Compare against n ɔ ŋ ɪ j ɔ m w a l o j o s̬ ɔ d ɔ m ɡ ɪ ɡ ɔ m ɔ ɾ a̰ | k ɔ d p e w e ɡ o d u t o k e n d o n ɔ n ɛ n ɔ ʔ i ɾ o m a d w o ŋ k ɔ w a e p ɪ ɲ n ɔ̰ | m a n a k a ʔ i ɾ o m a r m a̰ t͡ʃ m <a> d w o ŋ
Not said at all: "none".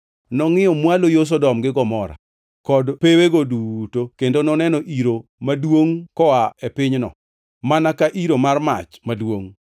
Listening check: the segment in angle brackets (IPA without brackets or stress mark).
a